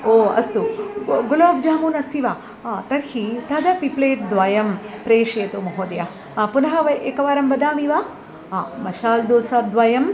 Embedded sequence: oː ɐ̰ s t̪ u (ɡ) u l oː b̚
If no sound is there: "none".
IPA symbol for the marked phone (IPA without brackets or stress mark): ɡ